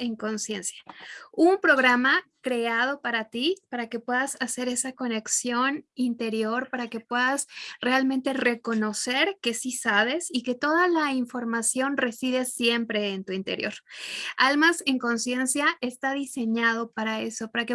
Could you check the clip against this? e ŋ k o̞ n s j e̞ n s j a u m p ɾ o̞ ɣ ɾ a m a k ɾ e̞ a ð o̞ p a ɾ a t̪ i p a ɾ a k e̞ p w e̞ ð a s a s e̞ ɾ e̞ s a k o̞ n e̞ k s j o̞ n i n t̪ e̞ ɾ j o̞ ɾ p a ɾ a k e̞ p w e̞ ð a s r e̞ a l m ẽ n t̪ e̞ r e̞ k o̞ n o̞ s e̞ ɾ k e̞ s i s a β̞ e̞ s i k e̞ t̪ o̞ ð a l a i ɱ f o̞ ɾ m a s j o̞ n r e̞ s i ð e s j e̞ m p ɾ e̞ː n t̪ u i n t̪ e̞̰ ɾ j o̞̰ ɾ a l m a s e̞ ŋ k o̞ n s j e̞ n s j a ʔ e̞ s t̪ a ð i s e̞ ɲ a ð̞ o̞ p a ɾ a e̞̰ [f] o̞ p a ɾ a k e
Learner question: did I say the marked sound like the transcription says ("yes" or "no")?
no